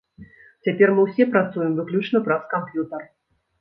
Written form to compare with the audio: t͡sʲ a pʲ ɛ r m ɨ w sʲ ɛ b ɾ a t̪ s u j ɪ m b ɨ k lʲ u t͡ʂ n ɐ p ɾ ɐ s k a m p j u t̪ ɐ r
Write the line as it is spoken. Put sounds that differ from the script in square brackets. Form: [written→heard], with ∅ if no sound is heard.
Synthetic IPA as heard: t͡sʲ a pʲ ɛ r m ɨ w sʲ ɛ [b→p] ɾ a t̪ s u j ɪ m [b→v] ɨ k lʲ u t͡ʂ n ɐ p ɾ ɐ s k a m p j u t̪ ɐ r